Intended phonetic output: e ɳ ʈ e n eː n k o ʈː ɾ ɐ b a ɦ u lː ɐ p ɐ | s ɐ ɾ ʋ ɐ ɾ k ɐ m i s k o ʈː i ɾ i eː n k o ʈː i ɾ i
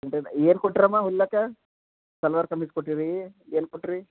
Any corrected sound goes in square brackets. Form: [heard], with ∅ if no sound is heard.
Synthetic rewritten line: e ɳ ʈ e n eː n k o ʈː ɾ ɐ [m] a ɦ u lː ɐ [k] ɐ | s ɐ [l] ʋ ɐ ɾ k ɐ m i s k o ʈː i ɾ i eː n k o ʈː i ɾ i